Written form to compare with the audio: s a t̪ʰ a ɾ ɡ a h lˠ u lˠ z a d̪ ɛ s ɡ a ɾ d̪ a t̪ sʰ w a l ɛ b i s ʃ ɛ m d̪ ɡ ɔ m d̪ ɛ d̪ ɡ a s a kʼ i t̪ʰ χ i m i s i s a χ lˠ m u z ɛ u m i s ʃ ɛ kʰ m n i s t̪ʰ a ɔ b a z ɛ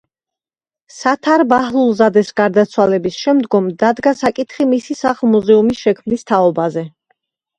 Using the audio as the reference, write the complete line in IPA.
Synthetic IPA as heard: s a t̪ʰ a ɾ b a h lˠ u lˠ z a d̪ ɛ s ɡ a ɾ d̪ a t̪ sʰ w a l ɛ b i s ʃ ɛ m d̪ ɡ ɔ m d̪ a d̪ ɡ a s a kʼ i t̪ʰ χ i m i s i s a χ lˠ m u z ɛ u m i s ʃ ɛ kʰ m n i s t̪ʰ a ɔ b a z ɛ